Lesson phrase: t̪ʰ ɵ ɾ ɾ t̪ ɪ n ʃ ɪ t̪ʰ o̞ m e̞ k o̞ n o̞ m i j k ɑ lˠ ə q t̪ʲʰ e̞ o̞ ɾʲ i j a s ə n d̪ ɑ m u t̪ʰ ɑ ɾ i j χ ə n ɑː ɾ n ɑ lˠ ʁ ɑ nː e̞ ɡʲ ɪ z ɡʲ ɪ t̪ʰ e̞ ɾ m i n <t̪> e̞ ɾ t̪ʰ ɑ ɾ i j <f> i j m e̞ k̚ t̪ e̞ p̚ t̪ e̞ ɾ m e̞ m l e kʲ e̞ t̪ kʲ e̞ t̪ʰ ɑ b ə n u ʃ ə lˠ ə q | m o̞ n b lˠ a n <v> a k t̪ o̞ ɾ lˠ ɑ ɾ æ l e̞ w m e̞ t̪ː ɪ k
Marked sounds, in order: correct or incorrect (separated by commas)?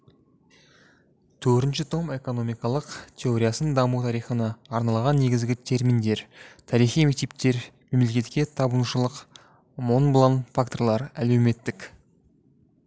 incorrect, incorrect, incorrect